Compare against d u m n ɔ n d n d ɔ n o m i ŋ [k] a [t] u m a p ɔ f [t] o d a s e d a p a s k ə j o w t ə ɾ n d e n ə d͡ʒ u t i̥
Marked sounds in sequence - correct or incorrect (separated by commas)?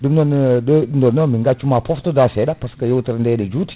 incorrect, incorrect, correct